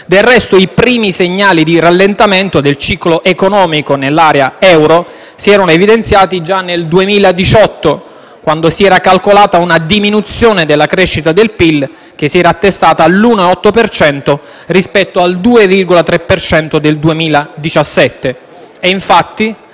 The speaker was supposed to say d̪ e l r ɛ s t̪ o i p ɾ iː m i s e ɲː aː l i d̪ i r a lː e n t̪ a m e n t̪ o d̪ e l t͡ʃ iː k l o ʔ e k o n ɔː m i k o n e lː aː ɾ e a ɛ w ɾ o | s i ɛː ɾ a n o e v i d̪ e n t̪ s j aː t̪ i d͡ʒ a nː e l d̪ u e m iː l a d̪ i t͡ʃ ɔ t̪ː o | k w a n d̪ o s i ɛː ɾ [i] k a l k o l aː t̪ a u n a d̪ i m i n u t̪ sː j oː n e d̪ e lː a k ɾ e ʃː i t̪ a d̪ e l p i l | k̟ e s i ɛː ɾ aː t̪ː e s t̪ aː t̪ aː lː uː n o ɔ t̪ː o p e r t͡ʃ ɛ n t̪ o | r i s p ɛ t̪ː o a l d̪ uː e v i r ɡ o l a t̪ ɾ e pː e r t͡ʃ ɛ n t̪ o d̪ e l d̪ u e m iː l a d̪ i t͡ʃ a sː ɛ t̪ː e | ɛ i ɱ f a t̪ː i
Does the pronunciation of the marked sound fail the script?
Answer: yes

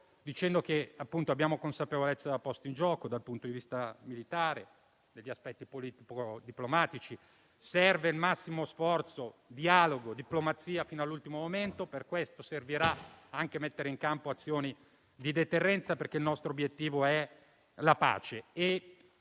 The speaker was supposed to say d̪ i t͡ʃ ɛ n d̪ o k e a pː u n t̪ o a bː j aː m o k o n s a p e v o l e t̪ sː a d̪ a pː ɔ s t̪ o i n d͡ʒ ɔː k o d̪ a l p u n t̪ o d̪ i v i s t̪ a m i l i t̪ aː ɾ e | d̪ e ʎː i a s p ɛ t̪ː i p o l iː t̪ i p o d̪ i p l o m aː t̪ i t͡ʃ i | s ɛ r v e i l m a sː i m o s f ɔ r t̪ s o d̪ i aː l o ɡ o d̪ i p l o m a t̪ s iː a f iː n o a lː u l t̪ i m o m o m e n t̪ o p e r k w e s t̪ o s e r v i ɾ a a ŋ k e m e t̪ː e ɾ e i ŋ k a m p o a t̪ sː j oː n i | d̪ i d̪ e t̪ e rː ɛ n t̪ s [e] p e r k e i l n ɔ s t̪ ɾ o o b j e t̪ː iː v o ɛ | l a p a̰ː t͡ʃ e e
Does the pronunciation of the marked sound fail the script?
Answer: yes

